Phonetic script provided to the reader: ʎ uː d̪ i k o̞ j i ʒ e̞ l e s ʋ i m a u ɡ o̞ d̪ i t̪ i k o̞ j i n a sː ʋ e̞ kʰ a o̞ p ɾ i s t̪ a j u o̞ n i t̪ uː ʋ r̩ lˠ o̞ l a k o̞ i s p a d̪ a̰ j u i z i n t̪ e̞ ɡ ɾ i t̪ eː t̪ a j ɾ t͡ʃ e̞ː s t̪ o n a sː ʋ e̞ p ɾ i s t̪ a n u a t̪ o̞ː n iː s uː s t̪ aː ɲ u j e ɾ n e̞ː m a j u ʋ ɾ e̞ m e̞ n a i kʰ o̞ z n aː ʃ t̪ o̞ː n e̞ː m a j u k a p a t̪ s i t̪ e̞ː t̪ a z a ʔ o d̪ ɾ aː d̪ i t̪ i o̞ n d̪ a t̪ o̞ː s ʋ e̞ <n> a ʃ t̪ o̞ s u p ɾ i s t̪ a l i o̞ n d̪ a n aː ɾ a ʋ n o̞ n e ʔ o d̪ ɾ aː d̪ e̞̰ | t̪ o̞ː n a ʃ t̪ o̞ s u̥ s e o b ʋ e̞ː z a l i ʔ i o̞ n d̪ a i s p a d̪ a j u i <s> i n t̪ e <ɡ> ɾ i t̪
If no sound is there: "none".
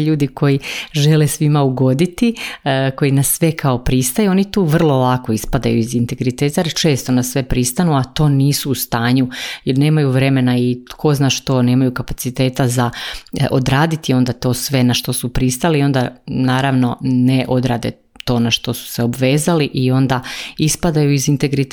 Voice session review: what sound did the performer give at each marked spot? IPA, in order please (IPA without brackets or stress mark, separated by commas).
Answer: n, z, ɡ